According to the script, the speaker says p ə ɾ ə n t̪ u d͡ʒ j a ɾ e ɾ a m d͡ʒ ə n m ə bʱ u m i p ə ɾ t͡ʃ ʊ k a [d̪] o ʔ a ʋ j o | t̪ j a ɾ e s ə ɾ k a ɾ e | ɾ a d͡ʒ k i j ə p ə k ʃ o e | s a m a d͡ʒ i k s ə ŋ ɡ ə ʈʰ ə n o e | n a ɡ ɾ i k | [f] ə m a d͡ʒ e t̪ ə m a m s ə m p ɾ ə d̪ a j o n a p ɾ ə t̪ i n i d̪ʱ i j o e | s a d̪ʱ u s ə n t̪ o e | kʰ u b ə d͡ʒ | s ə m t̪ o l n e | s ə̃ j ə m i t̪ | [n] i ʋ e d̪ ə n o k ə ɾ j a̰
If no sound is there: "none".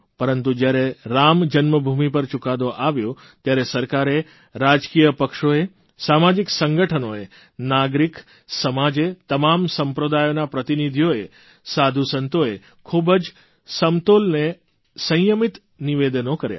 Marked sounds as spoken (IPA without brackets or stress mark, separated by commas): d̪, s, n